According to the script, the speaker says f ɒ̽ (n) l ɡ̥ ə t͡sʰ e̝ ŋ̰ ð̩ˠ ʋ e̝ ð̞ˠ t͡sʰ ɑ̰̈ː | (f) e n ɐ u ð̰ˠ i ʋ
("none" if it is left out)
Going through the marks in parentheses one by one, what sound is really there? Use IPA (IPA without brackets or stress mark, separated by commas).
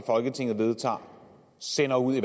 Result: none, s